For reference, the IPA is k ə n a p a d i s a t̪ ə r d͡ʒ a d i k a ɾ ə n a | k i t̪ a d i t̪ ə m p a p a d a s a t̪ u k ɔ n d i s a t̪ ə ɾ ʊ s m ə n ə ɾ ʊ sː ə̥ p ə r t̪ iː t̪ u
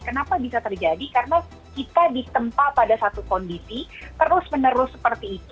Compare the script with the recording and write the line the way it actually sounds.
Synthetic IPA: k ə n a p a b i s a t̪ ə r d͡ʒ a d i k a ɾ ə n a | k i t̪ a d i t̪ ə m p a p a d a s a t̪ u k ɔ n d i s i t̪ ə ɾ ʊ s m ə n ə ɾ ʊ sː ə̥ p ə r t̪ iː t̪ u